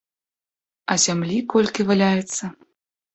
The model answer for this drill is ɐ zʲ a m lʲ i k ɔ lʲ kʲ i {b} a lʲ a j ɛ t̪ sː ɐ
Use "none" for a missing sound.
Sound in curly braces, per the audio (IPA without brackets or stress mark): v